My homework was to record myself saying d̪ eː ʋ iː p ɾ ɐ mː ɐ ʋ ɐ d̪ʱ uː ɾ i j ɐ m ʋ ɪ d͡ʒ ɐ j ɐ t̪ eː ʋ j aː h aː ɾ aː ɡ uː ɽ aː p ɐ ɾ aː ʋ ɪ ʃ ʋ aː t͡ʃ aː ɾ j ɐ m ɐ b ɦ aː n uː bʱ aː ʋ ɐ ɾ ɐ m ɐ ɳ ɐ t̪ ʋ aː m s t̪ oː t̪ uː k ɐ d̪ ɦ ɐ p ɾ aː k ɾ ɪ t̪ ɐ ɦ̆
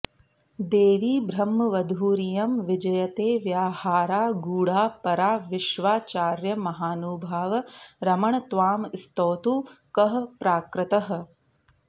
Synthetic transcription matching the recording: d̪ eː ʋ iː b ɾ ɐ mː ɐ ʋ ɐ d̪ʱ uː ɾ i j ɐ m ʋ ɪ d͡ʒ ɐ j ɐ t̪ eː ʋ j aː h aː ɾ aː ɡ uː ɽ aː p ɐ ɾ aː ʋ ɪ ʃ ʋ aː t͡ʃ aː ɾ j ɐ m ɐ ɦ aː n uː bʱ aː ʋ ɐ ɾ ɐ m ɐ ɳ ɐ t̪ ʋ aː m s t̪ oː t̪ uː k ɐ ɦ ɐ p ɾ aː k ɾ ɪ t̪ ɐ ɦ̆

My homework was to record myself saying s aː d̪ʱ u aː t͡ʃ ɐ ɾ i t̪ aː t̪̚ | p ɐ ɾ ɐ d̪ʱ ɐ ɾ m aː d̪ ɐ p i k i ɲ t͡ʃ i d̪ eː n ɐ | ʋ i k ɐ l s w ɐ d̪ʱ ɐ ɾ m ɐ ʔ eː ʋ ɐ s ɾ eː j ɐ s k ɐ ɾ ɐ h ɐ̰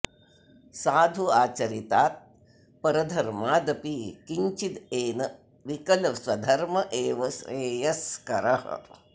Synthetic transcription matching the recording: s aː d̪ʱ u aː t͡ʃ ɐ ɾ i t̪ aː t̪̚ | p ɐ ɾ ɐ d̪ʱ ɐ ɾ m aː d̪ ɐ p i k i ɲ t͡ʃ i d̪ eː n ɐ | ʋ i k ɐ l s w ɐ d̪ʱ ɐ ɾ m ɐ ʔ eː ʋ ɐ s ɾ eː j ɐ s k ɐ ɾ ɐ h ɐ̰

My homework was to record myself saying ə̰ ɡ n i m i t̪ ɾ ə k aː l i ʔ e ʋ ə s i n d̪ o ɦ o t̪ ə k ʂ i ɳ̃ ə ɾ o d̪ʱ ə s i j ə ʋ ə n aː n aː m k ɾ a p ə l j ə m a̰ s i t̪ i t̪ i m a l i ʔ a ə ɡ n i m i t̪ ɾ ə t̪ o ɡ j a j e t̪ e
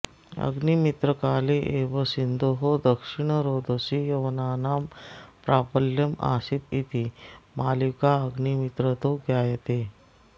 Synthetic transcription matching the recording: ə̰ ɡ n i m i t̪ ɾ ə k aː l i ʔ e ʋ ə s i n d̪ o ɦ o d̪ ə k ʂ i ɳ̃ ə ɾ o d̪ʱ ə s i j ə ʋ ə n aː n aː m p ɾ a p ə l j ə m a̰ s i t̪ i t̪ i m a l i k a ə ɡ n i m i t̪ ɾ ə t̪ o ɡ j a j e t̪ e

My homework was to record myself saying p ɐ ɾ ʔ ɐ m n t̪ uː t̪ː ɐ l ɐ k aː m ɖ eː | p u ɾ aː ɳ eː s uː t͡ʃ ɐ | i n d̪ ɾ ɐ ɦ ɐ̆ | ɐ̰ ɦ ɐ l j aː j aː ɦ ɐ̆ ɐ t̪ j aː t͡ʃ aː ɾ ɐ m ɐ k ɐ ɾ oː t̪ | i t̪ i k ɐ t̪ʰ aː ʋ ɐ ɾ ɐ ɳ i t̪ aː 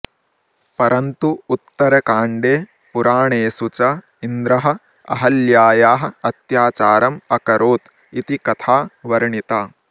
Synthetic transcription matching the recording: p ɐ ɾ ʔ ɐ n t̪ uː t̪ː ɐ ɾ ɐ k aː ɳ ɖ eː | p u ɾ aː ɳ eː s u t͡ʃ ɐ | i n d̪ ɾ ɐ ɦ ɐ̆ | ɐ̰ ɦ ɐ l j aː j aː ɦ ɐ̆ ɐ t̪ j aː t͡ʃ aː ɾ ɐ m ɐ k ɐ ɾ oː t̪ | i t̪ i k ɐ t̪ʰ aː ʋ ɐ ɾ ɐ ɳ i t̪ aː

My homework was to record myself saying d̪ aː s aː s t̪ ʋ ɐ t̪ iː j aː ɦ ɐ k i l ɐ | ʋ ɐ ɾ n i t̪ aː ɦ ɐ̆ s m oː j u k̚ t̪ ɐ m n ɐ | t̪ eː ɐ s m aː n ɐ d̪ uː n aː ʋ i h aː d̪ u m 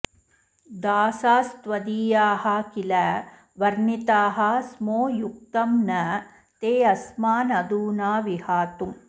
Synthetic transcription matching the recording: d̪ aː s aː s t̪ ʋ ɐ d̪ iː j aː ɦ ɐ k i l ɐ | ʋ ɐ ɾ n i t̪ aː ɦ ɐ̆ s m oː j u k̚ t̪ ɐ m n ɐ | t̪ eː ɐ s m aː n ɐ d̪ uː n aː ʋ i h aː t̪ u m

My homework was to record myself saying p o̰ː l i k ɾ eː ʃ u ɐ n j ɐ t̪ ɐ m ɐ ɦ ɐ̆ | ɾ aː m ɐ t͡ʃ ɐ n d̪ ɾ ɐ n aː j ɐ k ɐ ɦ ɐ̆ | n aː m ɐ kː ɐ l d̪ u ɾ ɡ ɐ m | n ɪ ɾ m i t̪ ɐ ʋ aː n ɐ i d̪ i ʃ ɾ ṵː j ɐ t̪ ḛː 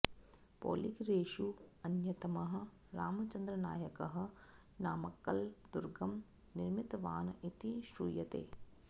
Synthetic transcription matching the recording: p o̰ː l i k ɾ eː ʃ u ɐ n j ɐ t̪ ɐ m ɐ ɦ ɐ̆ | ɾ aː m ɐ t͡ʃ ɐ n d̪ ɾ ɐ n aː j ɐ k ɐ ɦ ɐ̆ | n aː m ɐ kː ɐ l d̪ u ɾ ɡ ɐ m | n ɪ ɾ m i t̪ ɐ ʋ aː n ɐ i t̪ i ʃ ɾ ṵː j ɐ t̪ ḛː

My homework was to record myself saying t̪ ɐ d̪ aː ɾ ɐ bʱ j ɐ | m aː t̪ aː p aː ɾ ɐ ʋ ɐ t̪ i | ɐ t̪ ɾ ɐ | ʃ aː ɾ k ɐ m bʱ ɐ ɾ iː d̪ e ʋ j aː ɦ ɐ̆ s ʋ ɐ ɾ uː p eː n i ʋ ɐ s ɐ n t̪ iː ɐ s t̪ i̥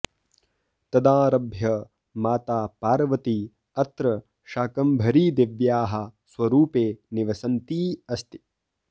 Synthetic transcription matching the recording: t̪ ɐ d̪ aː ɾ ɐ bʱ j ɐ | m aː t̪ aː p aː ɾ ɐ ʋ ɐ t̪ i | ɐ t̪ ɾ ɐ | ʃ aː k ɐ m bʱ ɐ ɾ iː d̪ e ʋ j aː ɦ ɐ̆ s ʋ ɐ ɾ uː p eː n i ʋ ɐ s ɐ n t̪ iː ɐ s t̪ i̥

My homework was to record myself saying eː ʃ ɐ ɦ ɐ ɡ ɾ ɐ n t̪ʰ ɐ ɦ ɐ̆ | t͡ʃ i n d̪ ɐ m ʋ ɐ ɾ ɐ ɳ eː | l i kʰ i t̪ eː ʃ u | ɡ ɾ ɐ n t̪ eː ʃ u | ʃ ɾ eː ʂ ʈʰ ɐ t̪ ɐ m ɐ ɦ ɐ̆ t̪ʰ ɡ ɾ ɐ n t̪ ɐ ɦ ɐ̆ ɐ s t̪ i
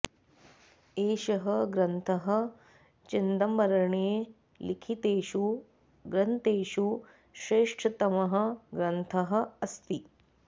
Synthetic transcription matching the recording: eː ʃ ɐ ɦ ɐ ɡ ɾ ɐ n t̪ʰ ɐ ɦ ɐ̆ | t͡ʃ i n d̪ ɐ m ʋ ɐ ɾ ɐ ɳ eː | l i kʰ i t̪ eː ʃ u | ɡ ɾ ɐ n t̪ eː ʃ u | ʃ ɾ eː ʂ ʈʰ ɐ t̪ ɐ m ɐ ɦ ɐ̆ ɡ ɾ ɐ n t̪ʰ ɐ ɦ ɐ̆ ɐ s t̪ i

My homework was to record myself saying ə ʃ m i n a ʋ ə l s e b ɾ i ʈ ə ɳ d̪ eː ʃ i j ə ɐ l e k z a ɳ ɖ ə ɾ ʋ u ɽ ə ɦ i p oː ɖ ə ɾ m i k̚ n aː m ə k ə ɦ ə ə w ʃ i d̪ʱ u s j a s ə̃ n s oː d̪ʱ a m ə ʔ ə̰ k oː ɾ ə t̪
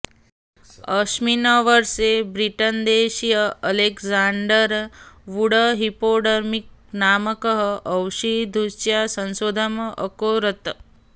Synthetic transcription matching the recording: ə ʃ m i n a ʋ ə ɾ s e b ɾ i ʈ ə n d̪ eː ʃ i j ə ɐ l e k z a ɳ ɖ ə ɾ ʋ u ɽ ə ɦ i p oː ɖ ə ɾ m i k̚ n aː m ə k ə ɦ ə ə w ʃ i d̪ʱ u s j a s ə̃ n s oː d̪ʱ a m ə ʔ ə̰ k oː ɾ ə t̪

